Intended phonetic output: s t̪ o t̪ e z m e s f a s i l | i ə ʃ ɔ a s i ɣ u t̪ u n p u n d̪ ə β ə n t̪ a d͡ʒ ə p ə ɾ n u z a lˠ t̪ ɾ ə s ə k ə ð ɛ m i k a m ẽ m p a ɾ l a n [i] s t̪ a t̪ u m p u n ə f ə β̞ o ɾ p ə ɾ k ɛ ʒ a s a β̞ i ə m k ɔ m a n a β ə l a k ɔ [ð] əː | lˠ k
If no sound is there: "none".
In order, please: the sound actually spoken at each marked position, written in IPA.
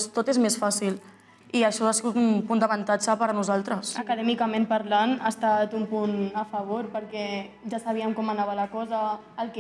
a, z

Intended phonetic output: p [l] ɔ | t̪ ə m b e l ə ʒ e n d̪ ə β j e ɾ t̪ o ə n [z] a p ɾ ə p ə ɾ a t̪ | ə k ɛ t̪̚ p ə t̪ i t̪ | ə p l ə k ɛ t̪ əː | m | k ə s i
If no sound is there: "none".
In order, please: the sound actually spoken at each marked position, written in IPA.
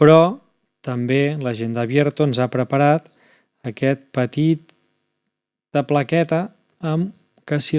ɾ, z

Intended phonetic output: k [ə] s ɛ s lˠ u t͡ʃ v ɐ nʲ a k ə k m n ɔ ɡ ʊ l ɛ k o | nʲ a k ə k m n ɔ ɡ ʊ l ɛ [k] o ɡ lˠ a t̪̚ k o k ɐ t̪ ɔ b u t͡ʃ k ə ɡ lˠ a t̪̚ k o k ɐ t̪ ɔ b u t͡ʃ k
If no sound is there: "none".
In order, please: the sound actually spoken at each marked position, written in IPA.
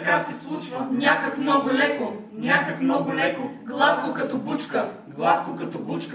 a, k

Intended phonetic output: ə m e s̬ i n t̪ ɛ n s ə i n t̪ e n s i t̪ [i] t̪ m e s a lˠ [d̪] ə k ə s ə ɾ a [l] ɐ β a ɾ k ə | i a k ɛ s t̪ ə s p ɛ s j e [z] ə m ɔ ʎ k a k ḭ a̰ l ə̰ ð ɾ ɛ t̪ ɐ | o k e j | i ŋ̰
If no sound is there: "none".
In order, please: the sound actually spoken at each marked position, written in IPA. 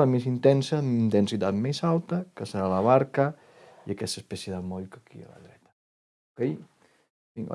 a, t̪, l, ð

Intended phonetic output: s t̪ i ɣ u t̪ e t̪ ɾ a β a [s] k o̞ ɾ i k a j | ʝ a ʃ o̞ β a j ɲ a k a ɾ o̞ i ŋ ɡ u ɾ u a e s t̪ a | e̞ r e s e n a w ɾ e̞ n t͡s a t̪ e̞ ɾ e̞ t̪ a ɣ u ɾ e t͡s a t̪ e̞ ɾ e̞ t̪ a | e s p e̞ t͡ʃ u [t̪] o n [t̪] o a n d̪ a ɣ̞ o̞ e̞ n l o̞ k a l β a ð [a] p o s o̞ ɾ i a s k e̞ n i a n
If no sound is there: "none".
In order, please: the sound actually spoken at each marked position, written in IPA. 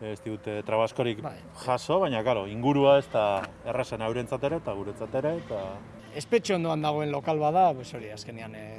s, none, d̪, a

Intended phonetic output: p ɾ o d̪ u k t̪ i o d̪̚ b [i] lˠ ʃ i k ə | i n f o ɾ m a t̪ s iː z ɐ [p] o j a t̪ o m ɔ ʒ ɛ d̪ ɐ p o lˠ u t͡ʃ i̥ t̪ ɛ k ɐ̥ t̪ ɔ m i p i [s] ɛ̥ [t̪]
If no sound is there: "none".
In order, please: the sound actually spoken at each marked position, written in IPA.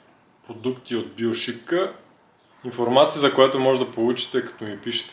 i, k, ʃ, t̪

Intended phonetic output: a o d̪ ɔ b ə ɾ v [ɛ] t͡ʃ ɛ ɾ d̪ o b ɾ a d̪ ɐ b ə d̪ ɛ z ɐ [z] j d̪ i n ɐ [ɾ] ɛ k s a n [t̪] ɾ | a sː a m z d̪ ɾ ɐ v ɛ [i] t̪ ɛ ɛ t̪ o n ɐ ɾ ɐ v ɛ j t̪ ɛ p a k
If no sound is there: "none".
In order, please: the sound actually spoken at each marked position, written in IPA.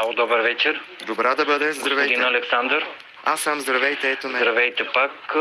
ɛ, v, l, d̪, j

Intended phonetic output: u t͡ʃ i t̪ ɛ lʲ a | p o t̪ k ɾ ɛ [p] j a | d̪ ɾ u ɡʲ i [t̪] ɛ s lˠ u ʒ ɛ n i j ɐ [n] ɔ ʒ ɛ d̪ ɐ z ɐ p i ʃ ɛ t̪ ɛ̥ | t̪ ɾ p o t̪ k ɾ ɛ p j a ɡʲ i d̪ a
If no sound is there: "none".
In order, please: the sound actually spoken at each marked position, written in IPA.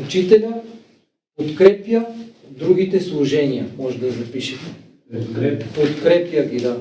p, t̪, m

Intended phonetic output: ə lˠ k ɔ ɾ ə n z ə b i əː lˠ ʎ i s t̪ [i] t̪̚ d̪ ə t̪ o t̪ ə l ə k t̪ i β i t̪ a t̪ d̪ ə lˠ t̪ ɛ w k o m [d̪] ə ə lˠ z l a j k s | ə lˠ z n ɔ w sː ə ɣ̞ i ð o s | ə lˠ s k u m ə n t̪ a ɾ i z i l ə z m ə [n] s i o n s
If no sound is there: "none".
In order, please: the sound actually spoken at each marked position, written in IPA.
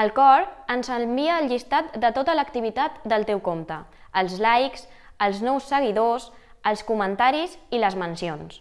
a, t̪, n

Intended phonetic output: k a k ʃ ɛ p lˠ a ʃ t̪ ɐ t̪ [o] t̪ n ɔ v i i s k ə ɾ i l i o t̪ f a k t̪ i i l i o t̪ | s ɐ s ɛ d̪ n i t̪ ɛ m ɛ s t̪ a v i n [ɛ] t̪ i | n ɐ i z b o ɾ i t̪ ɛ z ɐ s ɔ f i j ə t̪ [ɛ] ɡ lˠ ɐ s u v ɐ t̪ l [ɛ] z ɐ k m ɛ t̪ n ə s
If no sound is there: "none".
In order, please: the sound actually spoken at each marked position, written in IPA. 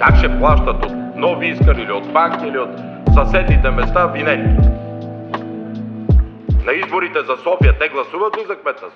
o, ɛ, ɛ, i

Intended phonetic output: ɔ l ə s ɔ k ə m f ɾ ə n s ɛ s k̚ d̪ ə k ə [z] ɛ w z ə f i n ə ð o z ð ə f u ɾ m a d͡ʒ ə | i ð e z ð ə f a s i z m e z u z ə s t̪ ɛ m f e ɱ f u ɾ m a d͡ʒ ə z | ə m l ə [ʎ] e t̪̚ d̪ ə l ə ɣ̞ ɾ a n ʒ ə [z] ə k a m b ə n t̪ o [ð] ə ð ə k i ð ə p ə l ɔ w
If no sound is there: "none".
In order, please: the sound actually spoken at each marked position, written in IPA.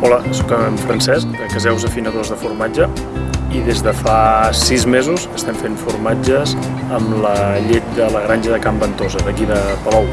z, ʎ, ð, z

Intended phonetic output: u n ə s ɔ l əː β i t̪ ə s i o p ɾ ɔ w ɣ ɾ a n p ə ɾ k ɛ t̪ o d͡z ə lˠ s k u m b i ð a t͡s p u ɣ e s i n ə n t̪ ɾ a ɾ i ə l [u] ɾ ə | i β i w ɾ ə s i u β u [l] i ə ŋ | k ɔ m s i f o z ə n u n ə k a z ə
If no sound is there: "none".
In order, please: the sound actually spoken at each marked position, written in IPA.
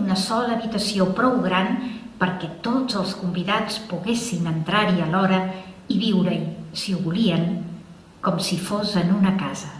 ɔ, l

